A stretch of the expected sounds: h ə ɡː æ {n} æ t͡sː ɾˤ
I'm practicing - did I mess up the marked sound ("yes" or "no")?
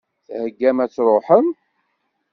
yes